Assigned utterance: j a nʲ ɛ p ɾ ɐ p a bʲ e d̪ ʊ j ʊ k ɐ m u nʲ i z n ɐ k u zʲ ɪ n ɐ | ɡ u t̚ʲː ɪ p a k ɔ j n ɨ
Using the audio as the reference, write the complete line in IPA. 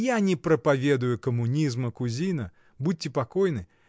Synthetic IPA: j a nʲ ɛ p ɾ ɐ p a vʲ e d̪ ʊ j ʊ k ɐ m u nʲ i z m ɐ k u zʲ i n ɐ | b u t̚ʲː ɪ p a k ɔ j n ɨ